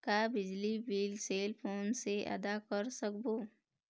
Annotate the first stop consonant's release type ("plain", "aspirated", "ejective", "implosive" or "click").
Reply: plain